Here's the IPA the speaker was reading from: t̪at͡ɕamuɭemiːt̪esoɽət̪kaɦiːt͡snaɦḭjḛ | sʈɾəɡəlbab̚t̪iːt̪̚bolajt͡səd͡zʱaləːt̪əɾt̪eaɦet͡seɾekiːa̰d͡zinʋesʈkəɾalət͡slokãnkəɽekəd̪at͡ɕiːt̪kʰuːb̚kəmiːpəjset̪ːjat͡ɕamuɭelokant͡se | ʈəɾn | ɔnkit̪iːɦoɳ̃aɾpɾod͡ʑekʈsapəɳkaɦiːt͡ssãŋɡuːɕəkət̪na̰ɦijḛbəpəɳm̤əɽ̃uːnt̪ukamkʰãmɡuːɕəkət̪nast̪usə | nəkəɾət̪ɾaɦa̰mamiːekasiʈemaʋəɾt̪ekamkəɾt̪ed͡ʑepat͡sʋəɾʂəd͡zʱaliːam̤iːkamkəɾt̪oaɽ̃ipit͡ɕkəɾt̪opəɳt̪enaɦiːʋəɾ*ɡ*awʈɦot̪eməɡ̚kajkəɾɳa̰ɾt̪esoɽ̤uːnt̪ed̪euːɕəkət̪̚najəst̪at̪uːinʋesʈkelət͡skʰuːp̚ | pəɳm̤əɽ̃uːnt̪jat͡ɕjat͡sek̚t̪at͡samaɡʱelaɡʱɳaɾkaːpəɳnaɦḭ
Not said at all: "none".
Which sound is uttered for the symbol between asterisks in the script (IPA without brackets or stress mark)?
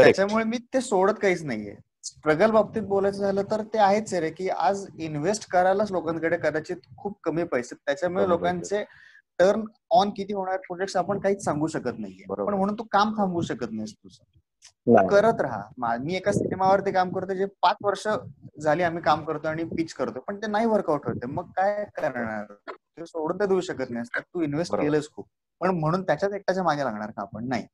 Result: k